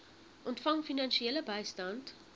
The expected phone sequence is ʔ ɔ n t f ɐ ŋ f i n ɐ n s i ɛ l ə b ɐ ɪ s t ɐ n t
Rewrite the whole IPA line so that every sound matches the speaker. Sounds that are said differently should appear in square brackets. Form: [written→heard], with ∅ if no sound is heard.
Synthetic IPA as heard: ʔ ɔ n t f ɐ ŋ f i n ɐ n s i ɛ l ə b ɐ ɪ s t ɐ n t

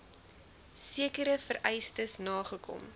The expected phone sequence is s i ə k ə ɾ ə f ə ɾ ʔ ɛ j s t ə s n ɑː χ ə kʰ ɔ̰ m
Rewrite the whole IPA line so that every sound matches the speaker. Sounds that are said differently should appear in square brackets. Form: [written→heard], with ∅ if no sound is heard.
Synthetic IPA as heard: s i ə k ə ɾ ə f ə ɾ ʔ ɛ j s t ə s n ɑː χ ə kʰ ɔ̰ m

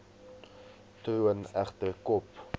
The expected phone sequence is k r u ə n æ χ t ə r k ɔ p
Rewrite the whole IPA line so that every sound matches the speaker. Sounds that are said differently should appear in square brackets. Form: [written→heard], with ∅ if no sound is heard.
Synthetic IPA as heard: [k→t] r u ə n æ χ t ə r k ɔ p

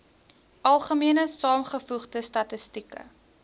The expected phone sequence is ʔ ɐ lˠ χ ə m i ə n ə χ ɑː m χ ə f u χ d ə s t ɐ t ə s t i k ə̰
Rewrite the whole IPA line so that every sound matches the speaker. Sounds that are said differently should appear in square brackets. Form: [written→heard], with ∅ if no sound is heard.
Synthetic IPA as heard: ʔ ɐ lˠ χ ə m i ə n ə [χ→s] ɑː m χ ə f u χ d ə s t ɐ t ə s t i k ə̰

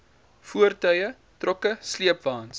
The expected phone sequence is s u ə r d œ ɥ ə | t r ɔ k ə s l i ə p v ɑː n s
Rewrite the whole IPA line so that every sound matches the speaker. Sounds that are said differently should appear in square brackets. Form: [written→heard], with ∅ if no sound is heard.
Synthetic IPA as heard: [s→f] u ə r [d→t] œ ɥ ə | t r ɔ k ə s l i ə p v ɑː n s

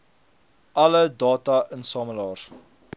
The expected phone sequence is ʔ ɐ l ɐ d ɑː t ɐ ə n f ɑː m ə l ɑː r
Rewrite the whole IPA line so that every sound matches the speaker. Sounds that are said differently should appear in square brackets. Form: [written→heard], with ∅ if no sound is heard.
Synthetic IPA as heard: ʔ ɐ l [ɐ→ə] d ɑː t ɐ ə n [f→s] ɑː m ə l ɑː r

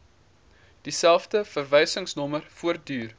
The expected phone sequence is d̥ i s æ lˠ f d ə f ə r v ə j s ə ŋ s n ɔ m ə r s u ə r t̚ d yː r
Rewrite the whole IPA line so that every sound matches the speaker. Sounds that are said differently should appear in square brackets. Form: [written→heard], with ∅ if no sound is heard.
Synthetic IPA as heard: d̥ i s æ lˠ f d ə f ə r v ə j s ə ŋ s n ɔ m ə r [s→f] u ə r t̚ d yː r

